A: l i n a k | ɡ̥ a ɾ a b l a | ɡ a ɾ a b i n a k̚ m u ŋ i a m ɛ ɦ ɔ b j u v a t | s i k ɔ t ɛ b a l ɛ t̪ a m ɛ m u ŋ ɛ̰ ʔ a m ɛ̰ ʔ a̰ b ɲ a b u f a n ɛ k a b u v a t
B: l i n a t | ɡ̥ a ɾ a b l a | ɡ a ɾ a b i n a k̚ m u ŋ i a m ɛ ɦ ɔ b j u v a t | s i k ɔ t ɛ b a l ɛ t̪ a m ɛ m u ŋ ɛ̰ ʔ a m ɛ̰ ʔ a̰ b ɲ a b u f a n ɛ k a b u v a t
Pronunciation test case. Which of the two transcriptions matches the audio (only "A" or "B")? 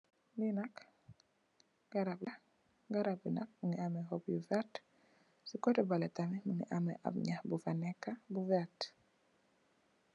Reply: A